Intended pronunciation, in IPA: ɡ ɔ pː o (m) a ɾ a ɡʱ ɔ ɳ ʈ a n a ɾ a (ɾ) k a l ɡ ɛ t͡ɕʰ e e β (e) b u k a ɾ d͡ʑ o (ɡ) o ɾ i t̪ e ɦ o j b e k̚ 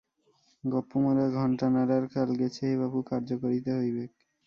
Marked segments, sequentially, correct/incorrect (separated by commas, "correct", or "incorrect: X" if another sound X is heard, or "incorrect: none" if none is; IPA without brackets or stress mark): correct, correct, incorrect: a, incorrect: k